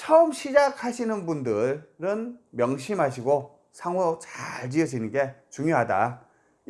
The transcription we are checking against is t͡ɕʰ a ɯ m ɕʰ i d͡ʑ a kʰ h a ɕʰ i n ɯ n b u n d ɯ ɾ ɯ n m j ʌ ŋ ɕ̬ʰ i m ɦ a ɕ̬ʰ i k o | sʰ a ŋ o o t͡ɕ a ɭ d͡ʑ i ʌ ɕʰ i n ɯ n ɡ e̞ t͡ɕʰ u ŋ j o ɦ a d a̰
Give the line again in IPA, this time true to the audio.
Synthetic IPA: t͡ɕʰ ʌ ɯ m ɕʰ i d͡ʑ a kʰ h a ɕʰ i n ɯ n b u n d ɯ ɾ ɯ n m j ʌ ŋ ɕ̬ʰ i m ɦ a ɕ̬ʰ i ɡ o | sʰ a ŋ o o t͡ɕ a ɭ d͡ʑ i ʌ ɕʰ i n ɯ n ɡ e̞ t͡ɕ u ŋ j o ɦ a d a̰

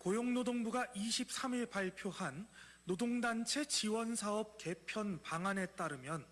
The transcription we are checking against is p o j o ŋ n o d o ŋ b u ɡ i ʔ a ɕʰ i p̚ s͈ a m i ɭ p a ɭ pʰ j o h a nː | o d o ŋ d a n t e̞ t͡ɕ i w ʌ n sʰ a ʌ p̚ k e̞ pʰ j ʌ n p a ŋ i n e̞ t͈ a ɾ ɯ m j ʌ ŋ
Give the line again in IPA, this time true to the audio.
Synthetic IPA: k o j o ŋ n o d o ŋ b u ɡ a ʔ i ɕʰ i p̚ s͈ a m i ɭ p a ɭ pʰ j o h a nː | o d o ŋ d a n t͡ɕʰ e̞ t͡ɕ i w ʌ n sʰ a ʌ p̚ k e̞ pʰ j ʌ n p a ŋ a n e̞ t͈ a ɾ ɯ m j ʌ n

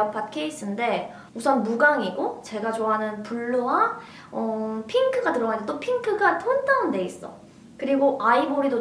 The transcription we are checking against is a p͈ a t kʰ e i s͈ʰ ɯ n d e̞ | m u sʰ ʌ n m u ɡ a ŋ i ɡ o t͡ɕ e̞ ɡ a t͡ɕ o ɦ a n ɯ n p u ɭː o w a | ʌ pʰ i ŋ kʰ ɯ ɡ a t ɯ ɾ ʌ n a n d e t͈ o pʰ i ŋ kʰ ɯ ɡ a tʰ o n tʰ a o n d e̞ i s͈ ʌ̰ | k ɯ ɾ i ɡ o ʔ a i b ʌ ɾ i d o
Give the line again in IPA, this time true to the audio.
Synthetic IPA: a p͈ a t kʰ e i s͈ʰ ɯ n d e̞ | m u sʰ ʌ n m u ɡ a ŋ i ɡ o t͡ɕ e̞ ɡ a t͡ɕ o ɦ a n ɯ n p u ɭː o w a | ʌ pʰ i ŋ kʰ ɯ ɡ a t ɯ ɾ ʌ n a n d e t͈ o pʰ i ŋ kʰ ɯ ɡ a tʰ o n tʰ a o n d e̞ i s͈ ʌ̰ | k ɯ ɾ i ɡ o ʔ a i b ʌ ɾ i d o

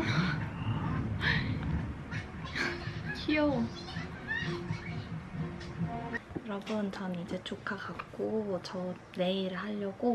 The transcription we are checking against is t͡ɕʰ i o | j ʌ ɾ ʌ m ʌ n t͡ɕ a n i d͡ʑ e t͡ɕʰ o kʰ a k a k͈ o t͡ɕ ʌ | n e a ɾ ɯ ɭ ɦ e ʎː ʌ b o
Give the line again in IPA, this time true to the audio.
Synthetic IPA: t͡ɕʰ i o | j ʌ ɾ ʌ b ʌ n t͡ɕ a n i d͡ʑ e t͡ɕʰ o kʰ a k a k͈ o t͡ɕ ʌ | n e i ɾ ɯ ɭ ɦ a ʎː ʌ ɡ o

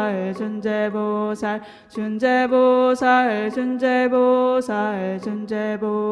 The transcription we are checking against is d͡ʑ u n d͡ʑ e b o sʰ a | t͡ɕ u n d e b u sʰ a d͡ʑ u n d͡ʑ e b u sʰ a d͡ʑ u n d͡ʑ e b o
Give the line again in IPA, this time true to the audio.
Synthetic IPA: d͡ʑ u n d͡ʑ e b o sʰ a | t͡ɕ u n d͡ʑ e b o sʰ a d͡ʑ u n d͡ʑ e b o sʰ a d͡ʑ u n d͡ʑ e b o

